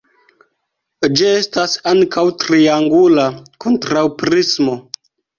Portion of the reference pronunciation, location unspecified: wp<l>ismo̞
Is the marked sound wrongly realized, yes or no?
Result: yes